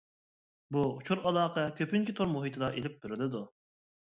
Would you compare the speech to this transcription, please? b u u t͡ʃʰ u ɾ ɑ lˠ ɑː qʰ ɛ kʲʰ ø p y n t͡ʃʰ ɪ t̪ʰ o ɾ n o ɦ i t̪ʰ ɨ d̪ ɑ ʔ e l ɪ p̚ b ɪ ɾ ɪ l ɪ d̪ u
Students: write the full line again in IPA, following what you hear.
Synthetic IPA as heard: b u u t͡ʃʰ u ɾ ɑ lˠ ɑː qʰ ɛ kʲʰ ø p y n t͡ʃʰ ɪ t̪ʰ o ɾ m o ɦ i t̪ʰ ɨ d̪ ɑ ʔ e l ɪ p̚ b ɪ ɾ ɪ l ɪ d̪ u